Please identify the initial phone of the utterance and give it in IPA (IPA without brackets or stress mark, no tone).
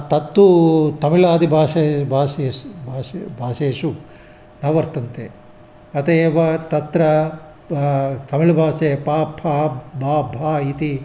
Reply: t̪